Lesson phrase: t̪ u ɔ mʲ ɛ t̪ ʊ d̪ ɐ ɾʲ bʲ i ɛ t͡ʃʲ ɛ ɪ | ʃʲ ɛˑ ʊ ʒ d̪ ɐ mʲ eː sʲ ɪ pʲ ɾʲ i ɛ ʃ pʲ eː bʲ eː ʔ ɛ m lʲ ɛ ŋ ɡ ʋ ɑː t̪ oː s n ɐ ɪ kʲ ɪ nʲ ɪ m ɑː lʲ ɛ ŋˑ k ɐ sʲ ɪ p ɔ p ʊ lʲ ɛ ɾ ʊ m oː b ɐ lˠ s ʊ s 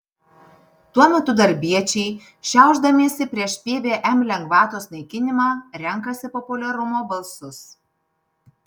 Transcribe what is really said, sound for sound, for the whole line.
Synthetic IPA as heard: t̪ u ɔ mʲ ɛ t̪ ʊ d̪ ɐ ɾʲ bʲ i ɛ t͡ʃʲ ɛ ɪ | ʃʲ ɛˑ ʊ ʒ d̪ ɐ mʲ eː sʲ ɪ pʲ ɾʲ i ɛ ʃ pʲ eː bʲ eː ʔ ɛ m lʲ ɛ ŋ ɡ ʋ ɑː t̪ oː s n ɐ ɪ kʲ ɪ nʲ ɪ m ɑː ɾʲ ɛ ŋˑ k ɐ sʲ ɪ p ɔ p ʊ lʲ ɛ ɾ ʊ m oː b ɐ lˠ s ʊ s

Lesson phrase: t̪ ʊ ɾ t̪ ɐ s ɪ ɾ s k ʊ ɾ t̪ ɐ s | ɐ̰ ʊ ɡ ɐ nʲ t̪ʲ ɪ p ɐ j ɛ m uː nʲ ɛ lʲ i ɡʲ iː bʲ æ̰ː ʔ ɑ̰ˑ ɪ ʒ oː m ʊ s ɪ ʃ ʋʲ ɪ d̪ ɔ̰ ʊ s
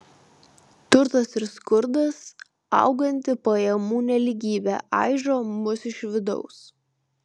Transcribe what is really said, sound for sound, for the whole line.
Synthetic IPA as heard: t̪ ʊ ɾ t̪ ɐ s ɪ ɾ s k ʊ ɾ d̪ ɐ s | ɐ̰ ʊ ɡ ɐ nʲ t̪ʲ ɪ p ɐ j ɛ m uː nʲ ɛ lʲ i ɡʲ iː bʲ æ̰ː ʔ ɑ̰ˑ ɪ ʒ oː m ʊ s ɪ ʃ ʋʲ ɪ d̪ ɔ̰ ʊ s

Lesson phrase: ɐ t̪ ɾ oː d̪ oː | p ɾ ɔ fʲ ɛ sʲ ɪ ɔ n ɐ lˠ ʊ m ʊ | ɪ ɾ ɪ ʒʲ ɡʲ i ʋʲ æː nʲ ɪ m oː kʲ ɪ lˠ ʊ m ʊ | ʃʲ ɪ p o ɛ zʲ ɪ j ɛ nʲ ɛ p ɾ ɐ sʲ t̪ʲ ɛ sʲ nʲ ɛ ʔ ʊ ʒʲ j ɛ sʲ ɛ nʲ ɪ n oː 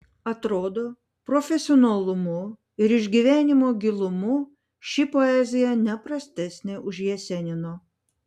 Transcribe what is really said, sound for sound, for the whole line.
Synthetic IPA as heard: ɐ t̪ ɾ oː d̪ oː | p ɾ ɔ fʲ ɛ sʲ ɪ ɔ n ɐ lˠ ʊ m ʊ | ɪ ɾ ɪ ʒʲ ɡʲ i ʋʲ æː nʲ ɪ m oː ɡʲ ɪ lˠ ʊ m ʊ | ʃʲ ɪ p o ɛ zʲ ɪ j ɛ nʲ ɛ p ɾ ɐ sʲ t̪ʲ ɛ sʲ nʲ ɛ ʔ ʊ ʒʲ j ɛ sʲ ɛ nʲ ɪ n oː

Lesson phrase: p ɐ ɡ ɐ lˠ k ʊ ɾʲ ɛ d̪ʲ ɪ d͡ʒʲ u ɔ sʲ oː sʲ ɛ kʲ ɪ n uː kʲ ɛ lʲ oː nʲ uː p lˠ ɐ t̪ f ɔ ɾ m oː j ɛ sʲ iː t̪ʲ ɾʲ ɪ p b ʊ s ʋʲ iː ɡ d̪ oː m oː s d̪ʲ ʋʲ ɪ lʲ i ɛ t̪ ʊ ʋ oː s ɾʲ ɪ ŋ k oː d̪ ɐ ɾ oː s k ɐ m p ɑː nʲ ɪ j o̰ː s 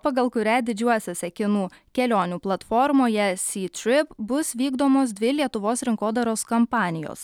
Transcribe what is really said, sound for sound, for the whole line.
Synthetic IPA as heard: p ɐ ɡ ɐ lˠ k ʊ ɾʲ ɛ d̪ʲ ɪ d͡ʒʲ u ɔ sʲ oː sʲ ɛ kʲ ɪ n uː kʲ ɛ lʲ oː nʲ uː p lˠ ɐ t̪ f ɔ ɾ m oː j ɛ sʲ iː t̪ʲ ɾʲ ɪ p b ʊ s ʋʲ iː ɡ d̪ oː m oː s d̪ʲ ʋʲ ɪ lʲ i ɛ t̪ ʊ ʋ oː s ɾʲ ɪ ŋ k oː d̪ ɐ ɾ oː s k ɐ m p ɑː nʲ ɪ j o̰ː s

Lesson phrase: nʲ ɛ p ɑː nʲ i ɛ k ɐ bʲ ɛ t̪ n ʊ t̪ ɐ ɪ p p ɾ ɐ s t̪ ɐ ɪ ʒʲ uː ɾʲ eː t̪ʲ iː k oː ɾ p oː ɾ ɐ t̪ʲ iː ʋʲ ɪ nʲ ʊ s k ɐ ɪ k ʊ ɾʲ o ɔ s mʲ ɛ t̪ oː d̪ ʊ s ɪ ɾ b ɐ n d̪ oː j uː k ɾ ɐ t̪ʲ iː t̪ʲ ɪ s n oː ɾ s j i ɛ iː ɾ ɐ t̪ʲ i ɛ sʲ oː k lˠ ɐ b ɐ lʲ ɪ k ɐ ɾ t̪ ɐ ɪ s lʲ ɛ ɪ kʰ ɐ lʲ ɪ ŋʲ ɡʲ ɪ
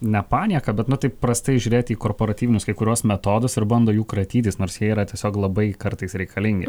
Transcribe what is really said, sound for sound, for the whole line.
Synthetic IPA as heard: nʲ ɛ p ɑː nʲ i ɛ k ɐ bʲ ɛ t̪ n ʊ t̪ ɐ ɪ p p ɾ ɐ s t̪ ɐ ɪ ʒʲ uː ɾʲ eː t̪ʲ iː k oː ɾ p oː ɾ ɐ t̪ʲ iː ʋʲ ɪ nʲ ʊ s k ɐ ɪ k ʊ ɾʲ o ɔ s mʲ ɛ t̪ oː d̪ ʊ s ɪ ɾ b ɐ n d̪ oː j uː k ɾ ɐ t̪ʲ iː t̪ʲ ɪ s n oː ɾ s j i ɛ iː ɾ ɐ t̪ʲ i ɛ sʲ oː k lˠ ɐ b ɐ ɪ k ɐ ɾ t̪ ɐ ɪ s ɾʲ ɛ ɪ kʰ ɐ lʲ ɪ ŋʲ ɡʲ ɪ

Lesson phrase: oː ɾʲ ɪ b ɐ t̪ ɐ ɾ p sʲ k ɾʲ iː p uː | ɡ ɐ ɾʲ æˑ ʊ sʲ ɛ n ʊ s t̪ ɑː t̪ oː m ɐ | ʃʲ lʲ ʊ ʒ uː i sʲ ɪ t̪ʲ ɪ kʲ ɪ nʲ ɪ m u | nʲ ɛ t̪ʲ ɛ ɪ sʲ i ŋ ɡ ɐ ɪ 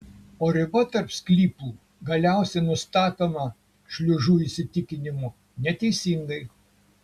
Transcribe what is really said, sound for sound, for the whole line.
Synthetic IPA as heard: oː ɾʲ ɪ b ɐ t̪ ɐ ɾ p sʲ k lʲ iː p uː | ɡ ɐ lʲ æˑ ʊ sʲ ɛ n ʊ s t̪ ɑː t̪ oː m ɐ | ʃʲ lʲ ʊ ʒ uː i sʲ ɪ t̪ʲ ɪ kʲ ɪ nʲ ɪ m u | nʲ ɛ t̪ʲ ɛ ɪ sʲ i ŋ ɡ ɐ ɪ

